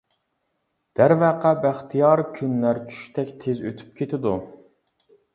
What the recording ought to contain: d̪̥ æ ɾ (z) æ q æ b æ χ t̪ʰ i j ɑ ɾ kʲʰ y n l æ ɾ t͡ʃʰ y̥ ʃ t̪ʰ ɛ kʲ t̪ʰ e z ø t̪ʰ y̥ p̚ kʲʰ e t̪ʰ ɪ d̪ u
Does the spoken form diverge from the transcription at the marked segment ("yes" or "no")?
yes